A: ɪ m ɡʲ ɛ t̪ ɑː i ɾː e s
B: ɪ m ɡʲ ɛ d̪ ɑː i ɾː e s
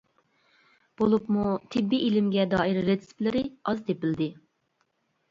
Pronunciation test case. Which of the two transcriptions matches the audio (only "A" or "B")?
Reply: B